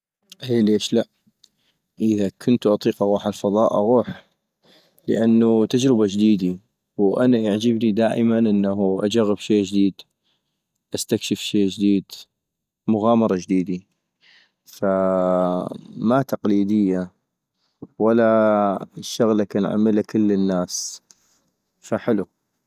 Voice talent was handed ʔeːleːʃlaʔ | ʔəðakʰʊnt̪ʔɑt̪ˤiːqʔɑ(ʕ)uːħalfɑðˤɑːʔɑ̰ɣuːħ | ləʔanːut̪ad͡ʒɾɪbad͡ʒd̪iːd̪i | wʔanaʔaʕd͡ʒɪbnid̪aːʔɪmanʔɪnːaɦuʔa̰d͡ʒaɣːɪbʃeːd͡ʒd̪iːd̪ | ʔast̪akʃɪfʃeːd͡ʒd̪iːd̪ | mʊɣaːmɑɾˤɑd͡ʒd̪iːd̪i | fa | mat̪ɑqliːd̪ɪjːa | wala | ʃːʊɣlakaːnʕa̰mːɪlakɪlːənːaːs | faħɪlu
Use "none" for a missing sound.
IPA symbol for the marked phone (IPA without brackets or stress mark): ɣ